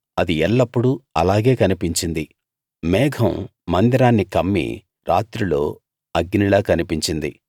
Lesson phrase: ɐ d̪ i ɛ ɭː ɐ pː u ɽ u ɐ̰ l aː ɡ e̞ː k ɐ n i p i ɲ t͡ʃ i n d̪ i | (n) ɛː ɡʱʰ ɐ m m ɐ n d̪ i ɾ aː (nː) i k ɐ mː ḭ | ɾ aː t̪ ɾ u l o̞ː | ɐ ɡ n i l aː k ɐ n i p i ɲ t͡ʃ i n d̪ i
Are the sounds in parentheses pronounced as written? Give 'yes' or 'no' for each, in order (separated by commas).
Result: no, yes